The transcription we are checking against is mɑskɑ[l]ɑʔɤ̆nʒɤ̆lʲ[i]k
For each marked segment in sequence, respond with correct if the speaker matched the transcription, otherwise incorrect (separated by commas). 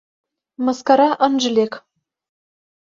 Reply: incorrect, incorrect